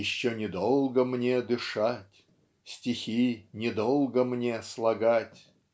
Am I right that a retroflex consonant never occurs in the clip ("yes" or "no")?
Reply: no